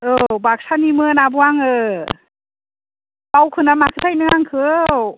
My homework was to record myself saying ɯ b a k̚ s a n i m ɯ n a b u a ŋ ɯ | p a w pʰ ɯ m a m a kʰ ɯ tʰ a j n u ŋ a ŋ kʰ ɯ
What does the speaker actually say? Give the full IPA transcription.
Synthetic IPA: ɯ b a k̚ s a n i m ɯ n a b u a ŋ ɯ | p a w kʰ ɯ n a m a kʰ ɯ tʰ a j n ɯ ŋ a ŋ kʰ ɯ

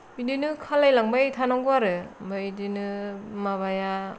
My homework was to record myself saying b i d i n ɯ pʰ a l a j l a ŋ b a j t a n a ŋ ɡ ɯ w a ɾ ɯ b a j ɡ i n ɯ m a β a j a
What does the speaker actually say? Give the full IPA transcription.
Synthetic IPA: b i d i n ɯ kʰ a l a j l a ŋ b a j tʰ a n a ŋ ɡ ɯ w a ɾ ɯ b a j d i n ɯ m a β a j a

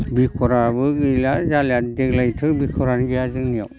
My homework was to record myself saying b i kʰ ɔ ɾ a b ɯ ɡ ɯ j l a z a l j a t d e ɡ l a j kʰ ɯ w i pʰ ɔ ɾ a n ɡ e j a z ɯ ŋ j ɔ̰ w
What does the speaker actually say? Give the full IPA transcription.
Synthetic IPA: b i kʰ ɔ ɾ a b ɯ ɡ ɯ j l a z a l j a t d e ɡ l a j tʰ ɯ b i kʰ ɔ ɾ a n ɡ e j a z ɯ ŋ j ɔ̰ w

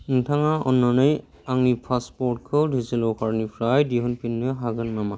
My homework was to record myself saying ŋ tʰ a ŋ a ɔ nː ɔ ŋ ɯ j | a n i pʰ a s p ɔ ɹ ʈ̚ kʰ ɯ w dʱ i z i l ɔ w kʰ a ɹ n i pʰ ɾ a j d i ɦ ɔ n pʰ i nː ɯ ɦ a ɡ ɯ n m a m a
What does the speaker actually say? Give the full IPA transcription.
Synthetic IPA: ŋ tʰ a ŋ a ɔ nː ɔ n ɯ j | a ŋ i pʰ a s p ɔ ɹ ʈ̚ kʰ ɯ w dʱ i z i l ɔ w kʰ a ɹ n i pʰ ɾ a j d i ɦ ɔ n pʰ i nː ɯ ɦ a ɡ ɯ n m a m a

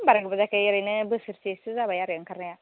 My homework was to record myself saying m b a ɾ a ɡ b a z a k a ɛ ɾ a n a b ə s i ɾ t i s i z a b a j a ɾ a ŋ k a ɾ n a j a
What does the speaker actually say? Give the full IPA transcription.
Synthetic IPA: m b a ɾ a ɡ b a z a k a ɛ ɾ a n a b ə s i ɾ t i s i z a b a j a ɾ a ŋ k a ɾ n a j a

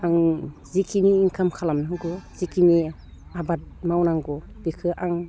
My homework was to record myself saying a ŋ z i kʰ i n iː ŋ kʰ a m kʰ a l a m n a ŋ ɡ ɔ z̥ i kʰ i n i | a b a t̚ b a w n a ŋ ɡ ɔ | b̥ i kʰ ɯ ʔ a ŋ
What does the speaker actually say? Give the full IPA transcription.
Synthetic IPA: a ŋ z i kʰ i n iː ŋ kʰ a m kʰ a l a m n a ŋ ɡ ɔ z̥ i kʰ i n i | a b a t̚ m a w n a ŋ ɡ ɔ | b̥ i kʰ ɯ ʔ a ŋ

